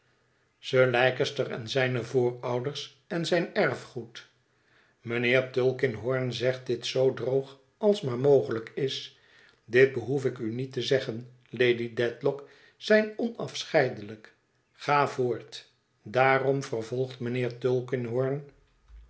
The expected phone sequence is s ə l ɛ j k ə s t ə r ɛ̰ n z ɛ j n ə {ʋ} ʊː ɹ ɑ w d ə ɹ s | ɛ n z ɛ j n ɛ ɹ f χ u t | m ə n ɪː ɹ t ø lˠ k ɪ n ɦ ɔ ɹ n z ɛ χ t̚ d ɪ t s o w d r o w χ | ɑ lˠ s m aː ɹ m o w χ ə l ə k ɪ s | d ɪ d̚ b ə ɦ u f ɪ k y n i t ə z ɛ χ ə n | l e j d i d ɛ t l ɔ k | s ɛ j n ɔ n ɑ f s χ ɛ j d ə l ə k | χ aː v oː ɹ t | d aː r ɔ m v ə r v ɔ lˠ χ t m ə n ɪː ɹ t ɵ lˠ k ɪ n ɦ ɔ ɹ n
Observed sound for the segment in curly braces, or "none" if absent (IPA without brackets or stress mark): v